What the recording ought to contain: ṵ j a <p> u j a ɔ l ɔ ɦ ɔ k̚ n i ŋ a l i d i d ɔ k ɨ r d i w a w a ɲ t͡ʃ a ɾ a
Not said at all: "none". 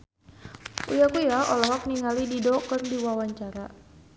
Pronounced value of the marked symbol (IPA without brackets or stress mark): k